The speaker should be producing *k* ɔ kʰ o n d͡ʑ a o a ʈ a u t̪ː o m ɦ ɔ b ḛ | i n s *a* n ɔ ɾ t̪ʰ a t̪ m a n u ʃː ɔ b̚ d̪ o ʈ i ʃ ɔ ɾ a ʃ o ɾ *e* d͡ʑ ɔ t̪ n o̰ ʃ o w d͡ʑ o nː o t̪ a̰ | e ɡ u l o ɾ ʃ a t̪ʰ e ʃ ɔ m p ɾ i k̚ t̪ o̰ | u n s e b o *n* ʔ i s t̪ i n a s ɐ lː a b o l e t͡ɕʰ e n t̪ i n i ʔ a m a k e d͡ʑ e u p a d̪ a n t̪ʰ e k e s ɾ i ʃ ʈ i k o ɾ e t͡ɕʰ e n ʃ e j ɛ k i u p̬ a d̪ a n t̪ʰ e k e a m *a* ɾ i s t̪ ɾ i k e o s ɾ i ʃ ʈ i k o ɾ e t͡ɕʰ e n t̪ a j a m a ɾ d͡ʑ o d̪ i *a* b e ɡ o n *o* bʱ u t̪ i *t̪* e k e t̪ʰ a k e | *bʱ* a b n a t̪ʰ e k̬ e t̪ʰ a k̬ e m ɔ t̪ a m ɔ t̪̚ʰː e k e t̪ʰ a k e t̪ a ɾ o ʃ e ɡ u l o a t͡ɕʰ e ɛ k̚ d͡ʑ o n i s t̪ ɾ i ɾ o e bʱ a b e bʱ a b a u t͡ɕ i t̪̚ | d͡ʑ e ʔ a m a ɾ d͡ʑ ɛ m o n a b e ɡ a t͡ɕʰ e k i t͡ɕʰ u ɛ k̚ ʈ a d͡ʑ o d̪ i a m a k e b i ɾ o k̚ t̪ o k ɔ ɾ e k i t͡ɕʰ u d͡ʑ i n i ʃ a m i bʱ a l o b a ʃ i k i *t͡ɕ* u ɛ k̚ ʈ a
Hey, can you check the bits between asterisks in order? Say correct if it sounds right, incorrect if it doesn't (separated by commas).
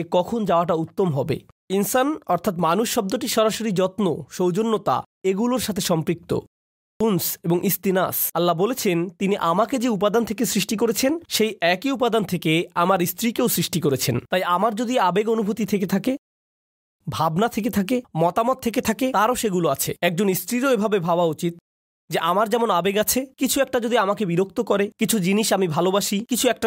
correct, correct, incorrect, incorrect, correct, correct, incorrect, incorrect, correct, incorrect